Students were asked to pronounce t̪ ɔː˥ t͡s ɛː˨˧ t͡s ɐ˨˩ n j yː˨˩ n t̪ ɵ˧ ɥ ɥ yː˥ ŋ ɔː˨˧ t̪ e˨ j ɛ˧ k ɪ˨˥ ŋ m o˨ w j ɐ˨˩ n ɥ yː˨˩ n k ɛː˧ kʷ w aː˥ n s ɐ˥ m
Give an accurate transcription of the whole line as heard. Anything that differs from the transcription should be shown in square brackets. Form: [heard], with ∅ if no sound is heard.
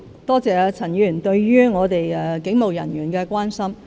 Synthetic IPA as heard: t̪ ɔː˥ t͡s ɛː˨˧ [t͡sʰ] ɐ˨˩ n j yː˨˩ n t̪ ɵ˧ ɥ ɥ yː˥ ŋ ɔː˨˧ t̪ e˨ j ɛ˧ k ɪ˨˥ ŋ m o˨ w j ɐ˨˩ n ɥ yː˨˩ n k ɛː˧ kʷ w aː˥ n s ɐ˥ m

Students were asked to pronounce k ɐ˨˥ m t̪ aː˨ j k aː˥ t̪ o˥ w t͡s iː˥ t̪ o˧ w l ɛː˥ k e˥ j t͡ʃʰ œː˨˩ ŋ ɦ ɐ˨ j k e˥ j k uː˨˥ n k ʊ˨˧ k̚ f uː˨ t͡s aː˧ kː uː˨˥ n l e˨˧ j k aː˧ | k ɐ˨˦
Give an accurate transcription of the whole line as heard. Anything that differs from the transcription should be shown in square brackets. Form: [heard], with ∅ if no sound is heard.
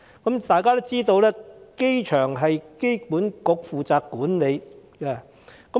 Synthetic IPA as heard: k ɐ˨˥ m t̪ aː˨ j k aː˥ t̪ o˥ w t͡s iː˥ t̪ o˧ w l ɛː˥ k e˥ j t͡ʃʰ œː˨˩ ŋ ɦ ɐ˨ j k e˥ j [p] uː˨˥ n k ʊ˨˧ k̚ f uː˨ t͡s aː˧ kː uː˨˥ n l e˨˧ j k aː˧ | k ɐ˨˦

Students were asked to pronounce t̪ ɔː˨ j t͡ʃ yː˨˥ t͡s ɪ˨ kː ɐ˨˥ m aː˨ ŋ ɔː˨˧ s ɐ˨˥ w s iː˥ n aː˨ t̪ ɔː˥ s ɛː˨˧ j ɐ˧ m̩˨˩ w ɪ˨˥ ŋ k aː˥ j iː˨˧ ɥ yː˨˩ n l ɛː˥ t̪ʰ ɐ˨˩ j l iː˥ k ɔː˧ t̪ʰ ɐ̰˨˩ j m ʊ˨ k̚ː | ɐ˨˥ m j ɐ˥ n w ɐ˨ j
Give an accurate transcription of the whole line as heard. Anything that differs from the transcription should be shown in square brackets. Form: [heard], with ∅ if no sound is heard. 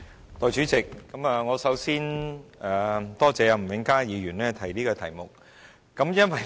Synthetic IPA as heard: t̪ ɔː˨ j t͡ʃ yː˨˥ t͡s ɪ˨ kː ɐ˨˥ m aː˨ ŋ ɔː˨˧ s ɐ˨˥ w s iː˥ n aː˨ t̪ ɔː˥ [t͡s] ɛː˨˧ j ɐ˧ m̩˨˩ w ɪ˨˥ ŋ k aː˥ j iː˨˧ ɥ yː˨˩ n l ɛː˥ t̪ʰ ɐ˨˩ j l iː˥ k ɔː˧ t̪ʰ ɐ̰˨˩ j m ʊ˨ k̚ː | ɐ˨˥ m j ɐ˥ n w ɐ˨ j

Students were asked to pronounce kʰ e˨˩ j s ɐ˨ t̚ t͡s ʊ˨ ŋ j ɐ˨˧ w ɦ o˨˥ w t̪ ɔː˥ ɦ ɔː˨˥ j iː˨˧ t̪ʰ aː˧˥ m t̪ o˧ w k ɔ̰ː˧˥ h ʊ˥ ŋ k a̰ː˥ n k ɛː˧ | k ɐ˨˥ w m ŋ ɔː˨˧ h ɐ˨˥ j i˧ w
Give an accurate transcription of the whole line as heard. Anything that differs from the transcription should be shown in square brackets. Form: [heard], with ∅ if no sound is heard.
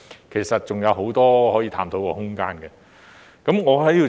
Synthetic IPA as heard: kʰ e˨˩ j s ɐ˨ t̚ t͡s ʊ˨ ŋ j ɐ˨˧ w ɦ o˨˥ w t̪ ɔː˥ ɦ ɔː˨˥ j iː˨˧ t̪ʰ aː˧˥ m t̪ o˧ w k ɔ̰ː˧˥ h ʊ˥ ŋ k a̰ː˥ n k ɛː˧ | k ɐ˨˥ [∅] m ŋ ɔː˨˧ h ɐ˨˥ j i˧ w

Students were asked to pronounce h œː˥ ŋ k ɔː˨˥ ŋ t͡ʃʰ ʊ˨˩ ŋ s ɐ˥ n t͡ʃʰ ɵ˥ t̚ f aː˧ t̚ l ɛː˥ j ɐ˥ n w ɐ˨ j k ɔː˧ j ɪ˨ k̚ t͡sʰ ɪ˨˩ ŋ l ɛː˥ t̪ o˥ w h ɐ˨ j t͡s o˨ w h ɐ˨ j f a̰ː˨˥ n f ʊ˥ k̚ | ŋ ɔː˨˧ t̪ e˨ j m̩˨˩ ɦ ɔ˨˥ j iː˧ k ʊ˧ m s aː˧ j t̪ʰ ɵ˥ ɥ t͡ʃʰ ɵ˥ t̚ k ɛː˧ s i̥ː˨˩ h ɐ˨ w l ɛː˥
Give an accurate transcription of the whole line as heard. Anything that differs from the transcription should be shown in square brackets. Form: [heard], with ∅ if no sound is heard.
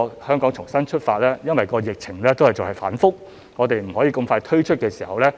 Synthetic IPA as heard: h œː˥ ŋ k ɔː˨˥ ŋ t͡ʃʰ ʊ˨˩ ŋ s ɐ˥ n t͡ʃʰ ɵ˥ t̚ f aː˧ t̚ l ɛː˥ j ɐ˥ n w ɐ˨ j k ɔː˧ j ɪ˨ k̚ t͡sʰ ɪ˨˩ ŋ l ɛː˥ t̪ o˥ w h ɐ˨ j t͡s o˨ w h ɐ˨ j f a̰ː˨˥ n f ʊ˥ k̚ | ŋ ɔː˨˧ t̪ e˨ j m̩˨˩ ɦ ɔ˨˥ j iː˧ k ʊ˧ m [f] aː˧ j t̪ʰ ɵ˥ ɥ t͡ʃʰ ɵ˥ t̚ k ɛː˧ s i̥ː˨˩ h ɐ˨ w l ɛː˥

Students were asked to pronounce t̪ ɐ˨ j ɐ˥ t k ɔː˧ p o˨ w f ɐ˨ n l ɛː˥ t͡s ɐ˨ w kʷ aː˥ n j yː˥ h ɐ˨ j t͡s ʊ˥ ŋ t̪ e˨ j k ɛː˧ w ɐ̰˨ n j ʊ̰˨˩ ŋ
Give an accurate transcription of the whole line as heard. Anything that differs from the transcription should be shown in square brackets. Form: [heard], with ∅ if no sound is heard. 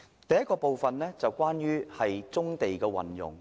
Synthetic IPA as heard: t̪ ɐ˨ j ɐ˥ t k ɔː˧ p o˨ w f ɐ˨ n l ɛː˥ t͡s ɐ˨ w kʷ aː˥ n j yː˥ h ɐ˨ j t͡s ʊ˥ ŋ t̪ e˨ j k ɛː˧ w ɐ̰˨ n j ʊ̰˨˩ ŋ

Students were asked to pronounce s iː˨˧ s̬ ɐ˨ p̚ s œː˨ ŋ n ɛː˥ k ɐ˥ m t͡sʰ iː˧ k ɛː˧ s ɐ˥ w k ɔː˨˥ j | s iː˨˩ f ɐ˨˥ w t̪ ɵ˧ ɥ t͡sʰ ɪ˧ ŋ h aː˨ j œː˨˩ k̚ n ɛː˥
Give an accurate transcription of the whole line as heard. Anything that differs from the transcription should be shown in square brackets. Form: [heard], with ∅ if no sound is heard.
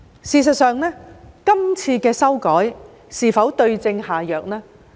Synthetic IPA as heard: s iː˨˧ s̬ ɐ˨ [t̚] s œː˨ ŋ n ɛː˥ k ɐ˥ m t͡sʰ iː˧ k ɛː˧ s ɐ˥ w k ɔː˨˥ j | s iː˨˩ f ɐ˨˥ w t̪ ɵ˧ ɥ [t͡s] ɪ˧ ŋ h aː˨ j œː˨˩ k̚ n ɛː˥

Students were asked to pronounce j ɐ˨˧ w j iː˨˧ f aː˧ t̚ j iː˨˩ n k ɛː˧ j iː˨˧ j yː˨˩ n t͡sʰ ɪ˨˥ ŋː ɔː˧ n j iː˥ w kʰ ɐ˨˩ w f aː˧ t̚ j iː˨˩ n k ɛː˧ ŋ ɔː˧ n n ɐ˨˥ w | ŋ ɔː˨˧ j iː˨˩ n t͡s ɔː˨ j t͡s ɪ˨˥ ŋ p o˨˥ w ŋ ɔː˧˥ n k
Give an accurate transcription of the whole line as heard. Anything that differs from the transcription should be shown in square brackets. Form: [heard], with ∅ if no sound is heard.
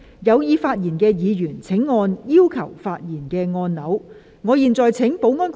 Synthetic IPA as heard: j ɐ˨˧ w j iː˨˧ f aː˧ t̚ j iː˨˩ n k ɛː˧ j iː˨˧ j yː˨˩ n t͡sʰ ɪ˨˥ ŋː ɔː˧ n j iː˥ w kʰ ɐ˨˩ w f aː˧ t̚ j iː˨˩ n k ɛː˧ ŋ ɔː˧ n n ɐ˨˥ w | ŋ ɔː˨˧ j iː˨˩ n t͡s ɔː˨ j [t͡sʰ] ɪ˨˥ ŋ p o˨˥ w ŋ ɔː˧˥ n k

